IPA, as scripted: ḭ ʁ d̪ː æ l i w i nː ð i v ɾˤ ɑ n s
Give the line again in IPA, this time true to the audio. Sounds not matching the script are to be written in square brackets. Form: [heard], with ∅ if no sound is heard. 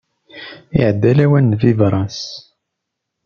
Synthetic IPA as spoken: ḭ [ʕ] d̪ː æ l [æ] w [æ] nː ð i v ɾˤ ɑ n s

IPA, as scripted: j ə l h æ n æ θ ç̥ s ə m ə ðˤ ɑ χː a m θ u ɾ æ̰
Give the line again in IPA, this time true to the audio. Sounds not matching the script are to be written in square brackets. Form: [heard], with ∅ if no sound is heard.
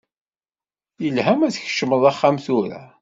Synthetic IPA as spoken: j ə l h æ [m] æ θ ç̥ [ʃ] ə m ə ðˤ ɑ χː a m θ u ɾ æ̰

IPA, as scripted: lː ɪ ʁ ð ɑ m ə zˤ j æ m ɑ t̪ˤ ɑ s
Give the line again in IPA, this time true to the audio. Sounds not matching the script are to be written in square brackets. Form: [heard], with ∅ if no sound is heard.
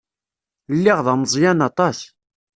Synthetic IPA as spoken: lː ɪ ʁ ð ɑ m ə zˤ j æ [n] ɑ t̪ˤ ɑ s

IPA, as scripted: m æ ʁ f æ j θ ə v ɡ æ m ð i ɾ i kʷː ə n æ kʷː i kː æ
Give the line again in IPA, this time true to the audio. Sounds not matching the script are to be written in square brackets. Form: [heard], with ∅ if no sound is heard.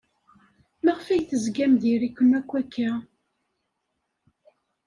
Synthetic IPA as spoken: m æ ʁ f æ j θ ə [z] ɡ æ m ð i ɾ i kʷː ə n æ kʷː [æ] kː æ

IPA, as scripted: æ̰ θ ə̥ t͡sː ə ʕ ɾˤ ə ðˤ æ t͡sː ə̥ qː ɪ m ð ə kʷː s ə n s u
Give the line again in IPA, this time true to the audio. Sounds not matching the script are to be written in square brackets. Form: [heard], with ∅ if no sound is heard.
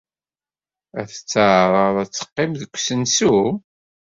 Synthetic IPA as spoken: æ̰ θ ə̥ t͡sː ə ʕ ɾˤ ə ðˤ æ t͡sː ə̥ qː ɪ m ð ə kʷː s ə n s u

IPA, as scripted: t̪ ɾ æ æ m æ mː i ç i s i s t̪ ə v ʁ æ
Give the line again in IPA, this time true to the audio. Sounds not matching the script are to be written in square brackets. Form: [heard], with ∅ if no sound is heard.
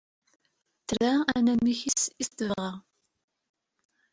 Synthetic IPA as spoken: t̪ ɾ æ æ [n] æ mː i ç i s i s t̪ ə v ʁ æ

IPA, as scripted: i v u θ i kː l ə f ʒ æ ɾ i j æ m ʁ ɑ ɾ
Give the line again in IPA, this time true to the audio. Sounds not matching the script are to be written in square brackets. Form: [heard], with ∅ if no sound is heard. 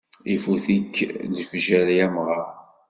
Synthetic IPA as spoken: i [f] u θ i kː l ə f ʒ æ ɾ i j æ m ʁ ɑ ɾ

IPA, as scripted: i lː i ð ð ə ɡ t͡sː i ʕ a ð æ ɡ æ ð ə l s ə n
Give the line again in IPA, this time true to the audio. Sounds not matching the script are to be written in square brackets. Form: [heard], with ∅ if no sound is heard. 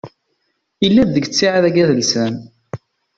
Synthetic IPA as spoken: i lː [æ] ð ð ə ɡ t͡sː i ʕ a ð æ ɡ æ ð ə l s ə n

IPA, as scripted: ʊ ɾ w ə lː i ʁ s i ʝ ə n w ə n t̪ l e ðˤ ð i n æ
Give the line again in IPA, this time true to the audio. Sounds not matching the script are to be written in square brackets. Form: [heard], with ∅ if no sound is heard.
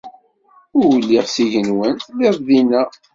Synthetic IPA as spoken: ʊ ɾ w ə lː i ʁ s i ʝ ə n w ə n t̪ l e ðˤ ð i n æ

